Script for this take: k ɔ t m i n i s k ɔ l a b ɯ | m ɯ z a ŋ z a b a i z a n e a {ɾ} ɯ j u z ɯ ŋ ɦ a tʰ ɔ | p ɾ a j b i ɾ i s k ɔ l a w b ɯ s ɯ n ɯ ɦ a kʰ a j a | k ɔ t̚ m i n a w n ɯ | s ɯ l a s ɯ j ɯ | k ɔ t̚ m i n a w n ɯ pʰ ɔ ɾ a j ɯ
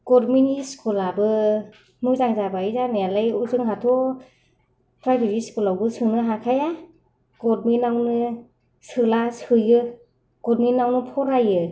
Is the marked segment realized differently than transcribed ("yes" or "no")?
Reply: yes